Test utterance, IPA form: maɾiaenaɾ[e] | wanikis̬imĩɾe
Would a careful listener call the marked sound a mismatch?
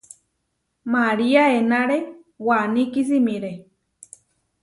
no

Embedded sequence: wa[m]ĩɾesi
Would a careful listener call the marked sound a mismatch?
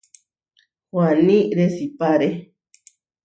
yes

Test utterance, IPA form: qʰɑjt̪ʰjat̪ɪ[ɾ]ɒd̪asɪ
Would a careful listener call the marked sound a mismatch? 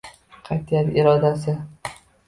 no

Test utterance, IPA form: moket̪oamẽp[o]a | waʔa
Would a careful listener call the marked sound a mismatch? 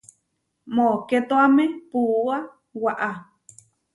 yes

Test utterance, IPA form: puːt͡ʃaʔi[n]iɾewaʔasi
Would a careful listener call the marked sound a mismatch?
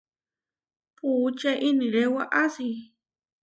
no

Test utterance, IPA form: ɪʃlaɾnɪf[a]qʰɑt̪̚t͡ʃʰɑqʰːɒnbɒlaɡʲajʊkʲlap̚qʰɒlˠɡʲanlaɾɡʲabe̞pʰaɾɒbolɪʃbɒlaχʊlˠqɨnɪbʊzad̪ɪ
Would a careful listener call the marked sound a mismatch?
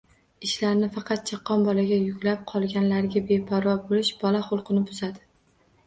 yes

